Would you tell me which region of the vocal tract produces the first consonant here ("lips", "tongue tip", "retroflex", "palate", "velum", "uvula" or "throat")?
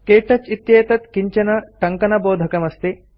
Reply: velum